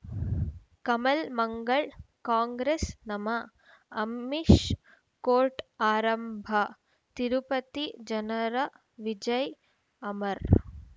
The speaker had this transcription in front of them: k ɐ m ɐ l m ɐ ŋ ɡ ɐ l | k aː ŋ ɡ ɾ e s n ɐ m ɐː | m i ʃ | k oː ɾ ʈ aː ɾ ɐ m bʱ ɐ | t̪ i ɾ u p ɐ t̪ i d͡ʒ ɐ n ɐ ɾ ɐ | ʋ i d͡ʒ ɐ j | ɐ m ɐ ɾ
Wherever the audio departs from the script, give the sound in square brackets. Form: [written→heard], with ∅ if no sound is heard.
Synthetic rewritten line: k ɐ m ɐ l m ɐ ŋ ɡ ɐ [l→ɭ] | k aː ŋ ɡ ɾ e s n ɐ m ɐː | m i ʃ | k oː ɾ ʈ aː ɾ ɐ m bʱ ɐ | t̪ i ɾ u p ɐ t̪ i d͡ʒ ɐ n ɐ ɾ ɐ | ʋ i d͡ʒ ɐ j | ɐ m ɐ ɾ